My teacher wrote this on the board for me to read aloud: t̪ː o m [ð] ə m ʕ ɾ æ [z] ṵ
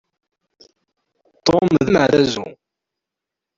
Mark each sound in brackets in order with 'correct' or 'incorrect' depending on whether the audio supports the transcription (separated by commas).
correct, correct